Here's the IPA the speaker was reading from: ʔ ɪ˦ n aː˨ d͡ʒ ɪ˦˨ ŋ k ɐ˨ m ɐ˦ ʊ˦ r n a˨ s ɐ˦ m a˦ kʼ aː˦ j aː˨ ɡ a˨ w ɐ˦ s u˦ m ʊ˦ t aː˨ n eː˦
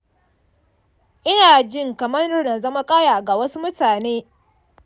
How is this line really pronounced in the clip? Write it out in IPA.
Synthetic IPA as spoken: ʔ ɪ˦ n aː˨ d͡ʒ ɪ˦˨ ŋ k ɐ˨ m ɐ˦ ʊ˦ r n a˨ z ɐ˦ m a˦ kʼ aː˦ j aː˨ ɡ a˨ w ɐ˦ s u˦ m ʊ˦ t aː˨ n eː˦